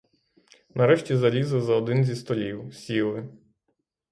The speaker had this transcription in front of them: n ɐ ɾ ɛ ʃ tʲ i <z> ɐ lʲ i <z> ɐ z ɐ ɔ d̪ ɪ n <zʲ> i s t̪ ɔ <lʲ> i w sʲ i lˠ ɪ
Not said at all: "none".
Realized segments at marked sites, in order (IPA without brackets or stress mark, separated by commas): z, z, zʲ, lʲ